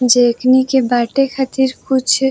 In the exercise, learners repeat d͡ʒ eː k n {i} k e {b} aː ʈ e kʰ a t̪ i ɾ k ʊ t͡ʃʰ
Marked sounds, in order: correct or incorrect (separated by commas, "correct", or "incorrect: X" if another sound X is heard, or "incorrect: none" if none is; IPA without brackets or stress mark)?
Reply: correct, correct